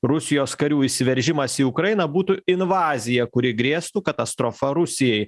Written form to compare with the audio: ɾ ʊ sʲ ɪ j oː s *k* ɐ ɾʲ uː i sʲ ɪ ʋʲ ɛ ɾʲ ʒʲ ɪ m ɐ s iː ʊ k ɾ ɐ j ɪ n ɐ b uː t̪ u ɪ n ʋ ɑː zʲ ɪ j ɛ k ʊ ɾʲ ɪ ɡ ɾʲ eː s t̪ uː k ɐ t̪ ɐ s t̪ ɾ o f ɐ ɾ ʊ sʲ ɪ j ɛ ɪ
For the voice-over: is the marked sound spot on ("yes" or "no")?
yes